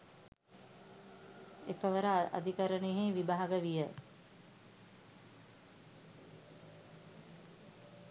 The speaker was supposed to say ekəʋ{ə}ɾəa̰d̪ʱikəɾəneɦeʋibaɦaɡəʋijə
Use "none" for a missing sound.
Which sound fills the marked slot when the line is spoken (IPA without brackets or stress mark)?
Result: ə